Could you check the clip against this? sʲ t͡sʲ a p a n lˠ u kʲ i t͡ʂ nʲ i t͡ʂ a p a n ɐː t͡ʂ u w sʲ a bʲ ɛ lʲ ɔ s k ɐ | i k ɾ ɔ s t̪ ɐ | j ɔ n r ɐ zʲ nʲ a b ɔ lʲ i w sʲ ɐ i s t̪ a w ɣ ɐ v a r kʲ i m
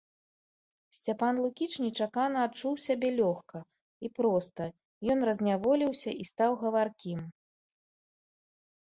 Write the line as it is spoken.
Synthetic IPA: sʲ t͡sʲ a p a n lˠ u kʲ i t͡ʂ nʲ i t͡ʂ a k a n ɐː t͡ʂ u w sʲ a bʲ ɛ lʲ ɔ x k ɐ | i p ɾ ɔ s t̪ ɐ | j ɔ n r ɐ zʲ nʲ a v ɔ lʲ i w sʲ ɐ i s t̪ a w ɣ ɐ v a r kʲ i m